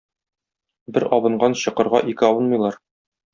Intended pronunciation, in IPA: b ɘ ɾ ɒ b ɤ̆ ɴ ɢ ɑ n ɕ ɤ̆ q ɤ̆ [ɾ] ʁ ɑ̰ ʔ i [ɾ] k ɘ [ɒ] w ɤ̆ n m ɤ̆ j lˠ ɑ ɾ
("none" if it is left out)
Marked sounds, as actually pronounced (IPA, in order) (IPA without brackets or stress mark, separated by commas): ɾ, none, ɒ